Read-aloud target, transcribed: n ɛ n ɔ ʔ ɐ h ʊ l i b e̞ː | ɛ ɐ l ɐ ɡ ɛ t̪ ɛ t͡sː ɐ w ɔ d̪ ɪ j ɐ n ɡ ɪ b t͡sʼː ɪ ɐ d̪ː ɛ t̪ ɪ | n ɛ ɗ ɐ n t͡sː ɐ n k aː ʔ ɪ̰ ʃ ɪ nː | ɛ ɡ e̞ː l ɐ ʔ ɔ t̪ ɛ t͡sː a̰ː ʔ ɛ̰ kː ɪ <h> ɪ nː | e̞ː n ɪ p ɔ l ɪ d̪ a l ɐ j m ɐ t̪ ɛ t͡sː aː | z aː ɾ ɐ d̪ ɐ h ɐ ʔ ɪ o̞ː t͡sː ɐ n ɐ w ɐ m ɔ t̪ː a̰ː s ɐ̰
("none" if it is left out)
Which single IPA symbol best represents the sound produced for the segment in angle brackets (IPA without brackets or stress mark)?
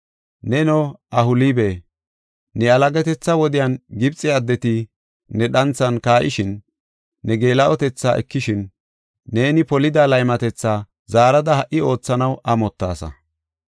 ʃ